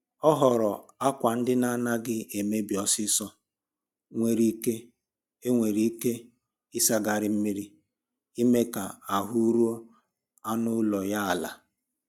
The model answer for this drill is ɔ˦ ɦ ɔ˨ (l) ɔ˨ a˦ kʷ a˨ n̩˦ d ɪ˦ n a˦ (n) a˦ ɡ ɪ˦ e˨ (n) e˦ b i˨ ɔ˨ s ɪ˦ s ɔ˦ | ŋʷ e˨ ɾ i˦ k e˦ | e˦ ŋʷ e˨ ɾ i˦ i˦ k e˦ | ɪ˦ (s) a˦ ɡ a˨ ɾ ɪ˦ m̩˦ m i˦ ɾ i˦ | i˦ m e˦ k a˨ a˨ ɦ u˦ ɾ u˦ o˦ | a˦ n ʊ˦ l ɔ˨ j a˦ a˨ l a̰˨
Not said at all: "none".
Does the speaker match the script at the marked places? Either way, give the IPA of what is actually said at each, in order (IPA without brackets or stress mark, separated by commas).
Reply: ɾ, n, m, s